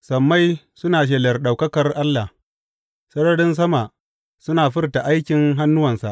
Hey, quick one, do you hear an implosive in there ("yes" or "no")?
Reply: yes